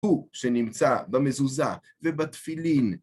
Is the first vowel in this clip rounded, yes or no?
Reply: yes